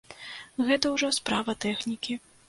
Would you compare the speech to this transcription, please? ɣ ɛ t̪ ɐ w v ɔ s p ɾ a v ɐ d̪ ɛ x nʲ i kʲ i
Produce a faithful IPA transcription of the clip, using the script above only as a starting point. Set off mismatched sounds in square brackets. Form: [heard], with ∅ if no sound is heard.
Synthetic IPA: ɣ ɛ t̪ ɐ w [ʐ] ɔ s p ɾ a v ɐ [t̪] ɛ x nʲ i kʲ i

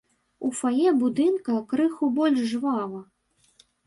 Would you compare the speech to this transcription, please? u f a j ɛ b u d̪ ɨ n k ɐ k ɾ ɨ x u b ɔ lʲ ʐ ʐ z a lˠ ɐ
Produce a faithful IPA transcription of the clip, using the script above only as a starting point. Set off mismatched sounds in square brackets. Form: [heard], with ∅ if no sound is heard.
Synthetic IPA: u f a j ɛ b u d̪ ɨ n k ɐ k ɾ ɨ x u b ɔ lʲ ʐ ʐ [v] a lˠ ɐ

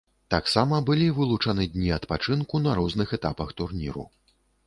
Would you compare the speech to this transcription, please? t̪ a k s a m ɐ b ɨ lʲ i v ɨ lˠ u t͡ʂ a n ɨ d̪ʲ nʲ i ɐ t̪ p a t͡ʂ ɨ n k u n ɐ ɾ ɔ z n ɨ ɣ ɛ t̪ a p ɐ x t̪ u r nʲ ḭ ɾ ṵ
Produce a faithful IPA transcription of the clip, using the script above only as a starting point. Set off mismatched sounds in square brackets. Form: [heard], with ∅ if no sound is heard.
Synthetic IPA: t̪ a k s a m ɐ b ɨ lʲ i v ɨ lˠ u t͡ʂ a n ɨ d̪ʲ nʲ i ɐ t̪ p a t͡ʂ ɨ n k u n ɐ ɾ ɔ z n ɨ [x] ɛ t̪ a p ɐ x t̪ u r nʲ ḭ ɾ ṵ

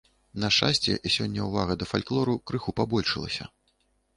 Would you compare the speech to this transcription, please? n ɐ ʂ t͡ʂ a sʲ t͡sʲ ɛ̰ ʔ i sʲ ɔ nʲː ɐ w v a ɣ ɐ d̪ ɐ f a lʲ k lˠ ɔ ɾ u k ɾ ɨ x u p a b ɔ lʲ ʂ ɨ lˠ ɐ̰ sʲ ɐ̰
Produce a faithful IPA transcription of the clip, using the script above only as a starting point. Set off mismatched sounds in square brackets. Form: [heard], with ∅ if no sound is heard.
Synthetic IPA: n ɐ ʂ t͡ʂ a sʲ t͡sʲ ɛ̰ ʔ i sʲ ɔ nʲː ɐ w v a ɣ ɐ d̪ ɐ f a lʲ k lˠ ɔ ɾ u k ɾ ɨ x u p a b ɔ lʲ ʂ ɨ lˠ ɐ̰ sʲ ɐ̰

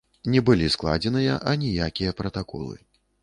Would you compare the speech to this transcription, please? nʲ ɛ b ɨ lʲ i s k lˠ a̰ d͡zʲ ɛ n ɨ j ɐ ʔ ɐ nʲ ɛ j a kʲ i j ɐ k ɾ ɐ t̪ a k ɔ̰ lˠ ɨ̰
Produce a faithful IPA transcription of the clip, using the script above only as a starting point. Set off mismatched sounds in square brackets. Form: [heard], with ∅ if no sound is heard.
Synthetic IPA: nʲ ɛ b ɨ lʲ i s k lˠ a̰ d͡zʲ ɛ n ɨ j ɐ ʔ ɐ nʲ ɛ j a kʲ i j ɐ [p] ɾ ɐ t̪ a k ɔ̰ lˠ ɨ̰

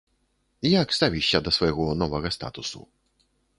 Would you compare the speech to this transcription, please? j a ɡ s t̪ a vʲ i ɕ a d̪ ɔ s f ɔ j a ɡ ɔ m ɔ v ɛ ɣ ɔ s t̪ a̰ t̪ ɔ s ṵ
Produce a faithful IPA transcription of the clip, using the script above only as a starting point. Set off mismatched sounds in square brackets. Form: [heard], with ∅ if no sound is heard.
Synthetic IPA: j a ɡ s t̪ a vʲ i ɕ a d̪ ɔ s f ɔ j [ɛ] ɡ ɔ [n] ɔ v ɛ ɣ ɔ s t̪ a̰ t̪ [u] s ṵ

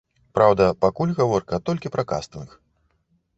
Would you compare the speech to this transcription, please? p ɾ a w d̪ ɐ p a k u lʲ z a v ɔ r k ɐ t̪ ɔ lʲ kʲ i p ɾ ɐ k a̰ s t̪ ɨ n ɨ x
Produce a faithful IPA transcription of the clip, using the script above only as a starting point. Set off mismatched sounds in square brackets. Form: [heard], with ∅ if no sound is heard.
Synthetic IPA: p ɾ a w d̪ ɐ p a k u lʲ [ɣ] a v ɔ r k ɐ t̪ ɔ lʲ kʲ i p ɾ ɐ k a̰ s t̪ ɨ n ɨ x

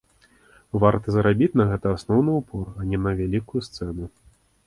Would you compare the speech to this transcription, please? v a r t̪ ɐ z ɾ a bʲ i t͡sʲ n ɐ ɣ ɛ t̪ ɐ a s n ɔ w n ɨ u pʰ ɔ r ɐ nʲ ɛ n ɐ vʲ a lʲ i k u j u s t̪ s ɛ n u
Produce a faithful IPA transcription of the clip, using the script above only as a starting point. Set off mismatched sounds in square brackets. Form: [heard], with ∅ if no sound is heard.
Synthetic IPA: v a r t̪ ɐ z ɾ a bʲ i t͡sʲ n ɐ ɣ ɛ t̪ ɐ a s n ɔ w n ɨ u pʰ ɔ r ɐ nʲ ɛ n ɐ vʲ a lʲ i k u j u s t̪ s ɛ n u

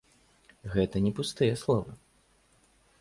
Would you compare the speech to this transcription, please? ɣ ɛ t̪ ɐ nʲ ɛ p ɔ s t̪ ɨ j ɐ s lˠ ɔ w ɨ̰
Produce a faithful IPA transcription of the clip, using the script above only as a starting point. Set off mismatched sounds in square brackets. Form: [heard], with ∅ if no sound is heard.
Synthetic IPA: ɣ ɛ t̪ ɐ nʲ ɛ p [u] s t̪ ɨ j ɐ s lˠ ɔ [v] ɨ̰

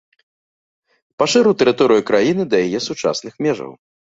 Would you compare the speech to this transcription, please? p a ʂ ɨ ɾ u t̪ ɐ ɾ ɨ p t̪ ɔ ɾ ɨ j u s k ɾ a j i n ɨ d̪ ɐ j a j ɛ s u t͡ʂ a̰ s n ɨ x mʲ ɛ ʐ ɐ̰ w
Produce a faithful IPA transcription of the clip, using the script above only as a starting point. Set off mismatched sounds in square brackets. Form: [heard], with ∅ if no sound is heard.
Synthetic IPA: p a ʂ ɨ ɾ u t̪ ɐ ɾ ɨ [∅] t̪ ɔ ɾ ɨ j u [∅] k ɾ a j i n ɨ d̪ ɐ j a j ɛ s u t͡ʂ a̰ s n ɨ x mʲ ɛ ʐ ɐ̰ w

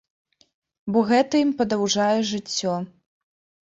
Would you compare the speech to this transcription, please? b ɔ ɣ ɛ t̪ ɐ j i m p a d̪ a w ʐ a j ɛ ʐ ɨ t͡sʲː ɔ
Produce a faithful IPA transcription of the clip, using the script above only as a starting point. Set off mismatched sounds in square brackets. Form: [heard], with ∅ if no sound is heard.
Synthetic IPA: b ɔ ɣ ɛ t̪ ɐ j i m p [ɐ] d̪ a w ʐ a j ɛ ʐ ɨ t͡sʲː ɔ

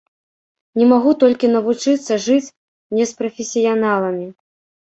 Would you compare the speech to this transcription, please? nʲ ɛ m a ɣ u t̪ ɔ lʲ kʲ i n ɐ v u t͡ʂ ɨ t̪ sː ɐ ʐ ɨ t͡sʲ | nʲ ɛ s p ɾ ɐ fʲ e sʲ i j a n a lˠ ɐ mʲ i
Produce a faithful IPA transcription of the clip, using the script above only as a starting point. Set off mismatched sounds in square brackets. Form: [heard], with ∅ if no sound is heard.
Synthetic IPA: nʲ ɛ m a ɣ u t̪ ɔ lʲ kʲ i n ɐ v u t͡ʂ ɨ t̪ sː ɐ ʐ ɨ t͡sʲ | nʲ ɛ s p ɾ ɐ fʲ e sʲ i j a n a lˠ ɐ mʲ i

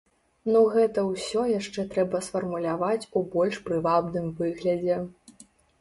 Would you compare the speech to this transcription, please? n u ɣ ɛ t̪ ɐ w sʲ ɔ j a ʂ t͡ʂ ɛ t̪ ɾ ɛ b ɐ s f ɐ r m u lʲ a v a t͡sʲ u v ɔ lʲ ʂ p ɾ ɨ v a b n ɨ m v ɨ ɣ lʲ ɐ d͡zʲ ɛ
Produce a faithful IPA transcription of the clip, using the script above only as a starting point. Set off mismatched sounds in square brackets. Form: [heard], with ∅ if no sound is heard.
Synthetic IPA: n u ɣ ɛ t̪ ɐ w sʲ ɔ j a ʂ t͡ʂ ɛ t̪ ɾ ɛ b ɐ s f ɐ r m u lʲ a v a t͡sʲ u [b] ɔ lʲ ʂ p ɾ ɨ v a b n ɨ m v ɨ ɣ lʲ ɐ d͡zʲ ɛ

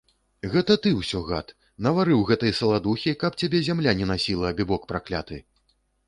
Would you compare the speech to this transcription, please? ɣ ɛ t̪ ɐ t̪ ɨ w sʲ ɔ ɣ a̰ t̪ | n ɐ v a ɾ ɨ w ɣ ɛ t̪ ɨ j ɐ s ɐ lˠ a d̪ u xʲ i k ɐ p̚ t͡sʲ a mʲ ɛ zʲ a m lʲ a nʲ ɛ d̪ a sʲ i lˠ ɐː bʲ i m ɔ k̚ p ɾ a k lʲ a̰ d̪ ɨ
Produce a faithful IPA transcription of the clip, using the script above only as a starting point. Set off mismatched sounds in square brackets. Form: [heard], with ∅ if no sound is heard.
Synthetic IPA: ɣ ɛ t̪ ɐ t̪ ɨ w sʲ ɔ ɣ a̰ t̪ | n ɐ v a ɾ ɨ w ɣ ɛ t̪ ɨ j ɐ s ɐ lˠ a d̪ u xʲ i k ɐ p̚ t͡sʲ a [bʲ] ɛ zʲ a m lʲ a nʲ ɛ [n̪] a sʲ i lˠ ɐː bʲ i [b] ɔ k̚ p ɾ a k lʲ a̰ [t̪] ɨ

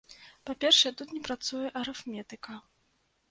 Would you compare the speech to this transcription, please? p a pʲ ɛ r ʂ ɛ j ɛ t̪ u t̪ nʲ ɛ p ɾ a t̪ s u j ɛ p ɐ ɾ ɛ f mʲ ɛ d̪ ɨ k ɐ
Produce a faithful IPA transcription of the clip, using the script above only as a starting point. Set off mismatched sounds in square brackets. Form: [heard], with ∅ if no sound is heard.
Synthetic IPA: p a pʲ ɛ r ʂ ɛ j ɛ t̪ u t̪ nʲ ɛ p ɾ a t̪ s u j ɛ [ʔ] ɐ ɾ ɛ f mʲ ɛ [t̪] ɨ k ɐ

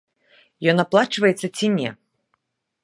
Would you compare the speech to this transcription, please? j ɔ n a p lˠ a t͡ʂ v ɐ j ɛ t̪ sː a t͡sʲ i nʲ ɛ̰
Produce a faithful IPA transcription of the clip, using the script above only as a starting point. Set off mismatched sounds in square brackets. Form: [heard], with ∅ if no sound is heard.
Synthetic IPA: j ɔ n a p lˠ a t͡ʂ v ɐ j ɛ t̪ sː [ɐ] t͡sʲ i nʲ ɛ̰

